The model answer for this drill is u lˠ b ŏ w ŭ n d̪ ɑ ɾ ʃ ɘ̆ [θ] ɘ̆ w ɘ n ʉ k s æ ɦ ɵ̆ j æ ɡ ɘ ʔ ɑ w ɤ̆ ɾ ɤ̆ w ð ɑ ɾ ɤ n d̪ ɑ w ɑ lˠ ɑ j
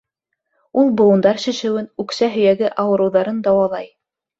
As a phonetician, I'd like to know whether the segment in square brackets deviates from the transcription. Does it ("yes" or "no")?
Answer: yes